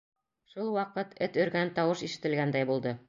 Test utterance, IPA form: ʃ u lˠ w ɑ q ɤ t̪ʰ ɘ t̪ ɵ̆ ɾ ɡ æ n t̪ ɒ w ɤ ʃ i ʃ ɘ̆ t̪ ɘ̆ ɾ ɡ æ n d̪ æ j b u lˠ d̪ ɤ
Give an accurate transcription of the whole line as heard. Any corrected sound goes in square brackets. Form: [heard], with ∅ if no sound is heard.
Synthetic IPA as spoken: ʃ u lˠ w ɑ q ɤ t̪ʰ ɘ t̪ ɵ̆ ɾ ɡ æ n t̪ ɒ w ɤ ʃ i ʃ ɘ̆ t̪ ɘ̆ [l] ɡ æ n d̪ æ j b u lˠ d̪ ɤ